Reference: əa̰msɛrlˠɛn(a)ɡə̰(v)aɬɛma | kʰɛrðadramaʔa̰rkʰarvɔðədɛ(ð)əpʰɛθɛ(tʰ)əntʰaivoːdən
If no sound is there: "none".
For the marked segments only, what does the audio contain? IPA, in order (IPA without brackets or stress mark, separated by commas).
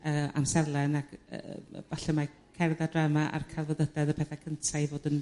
a, v, ð, kʰ